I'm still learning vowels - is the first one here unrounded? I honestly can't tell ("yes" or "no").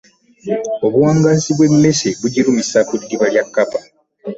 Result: no